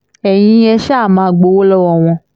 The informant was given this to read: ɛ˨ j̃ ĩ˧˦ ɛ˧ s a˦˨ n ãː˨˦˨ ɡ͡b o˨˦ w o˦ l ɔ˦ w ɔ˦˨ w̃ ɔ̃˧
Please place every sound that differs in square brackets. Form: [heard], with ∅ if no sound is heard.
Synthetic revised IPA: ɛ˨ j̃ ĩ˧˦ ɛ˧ [ʃ] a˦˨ [m] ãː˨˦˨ ɡ͡b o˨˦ w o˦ l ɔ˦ w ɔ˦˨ w̃ ɔ̃˧

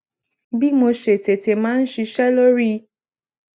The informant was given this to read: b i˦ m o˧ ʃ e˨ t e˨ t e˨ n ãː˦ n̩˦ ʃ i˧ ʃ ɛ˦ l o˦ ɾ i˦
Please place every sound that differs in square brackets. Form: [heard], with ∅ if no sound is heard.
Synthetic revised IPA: b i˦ m o˧ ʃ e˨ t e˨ t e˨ [m] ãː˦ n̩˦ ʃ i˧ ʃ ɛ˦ l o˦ ɾ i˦

